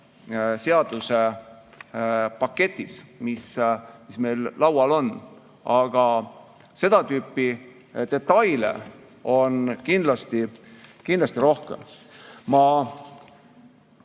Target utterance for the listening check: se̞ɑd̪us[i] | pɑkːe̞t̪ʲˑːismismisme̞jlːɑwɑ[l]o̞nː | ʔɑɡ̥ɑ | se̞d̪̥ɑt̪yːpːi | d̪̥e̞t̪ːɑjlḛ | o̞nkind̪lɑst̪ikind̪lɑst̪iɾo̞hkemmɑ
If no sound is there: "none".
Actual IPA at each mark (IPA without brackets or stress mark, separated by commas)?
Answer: e, l